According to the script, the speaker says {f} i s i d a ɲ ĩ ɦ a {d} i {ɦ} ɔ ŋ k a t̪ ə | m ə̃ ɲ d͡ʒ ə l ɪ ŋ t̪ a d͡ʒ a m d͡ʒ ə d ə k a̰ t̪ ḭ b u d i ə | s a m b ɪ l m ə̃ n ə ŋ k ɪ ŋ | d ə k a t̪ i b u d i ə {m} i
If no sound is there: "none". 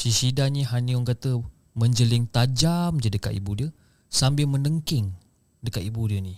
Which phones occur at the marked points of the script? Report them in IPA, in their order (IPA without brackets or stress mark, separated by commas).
s, n, none, n